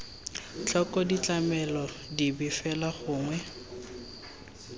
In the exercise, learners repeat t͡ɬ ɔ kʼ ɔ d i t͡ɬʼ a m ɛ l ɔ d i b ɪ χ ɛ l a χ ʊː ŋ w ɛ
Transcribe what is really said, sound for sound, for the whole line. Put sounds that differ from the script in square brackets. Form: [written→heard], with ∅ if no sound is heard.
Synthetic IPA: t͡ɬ ɔ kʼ ɔ d i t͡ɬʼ a m ɛ l ɔ d i b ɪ [χ→f] ɛ l a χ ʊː ŋ w ɛ